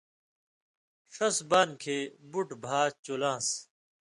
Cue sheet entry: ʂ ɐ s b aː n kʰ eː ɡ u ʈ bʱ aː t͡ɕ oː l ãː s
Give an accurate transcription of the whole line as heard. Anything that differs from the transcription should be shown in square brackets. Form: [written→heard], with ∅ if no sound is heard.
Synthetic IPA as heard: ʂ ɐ s b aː n kʰ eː [ɡ→b] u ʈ bʱ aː t͡ɕ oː l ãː s